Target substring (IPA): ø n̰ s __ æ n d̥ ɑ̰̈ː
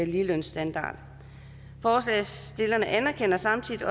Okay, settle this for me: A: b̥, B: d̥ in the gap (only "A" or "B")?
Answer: B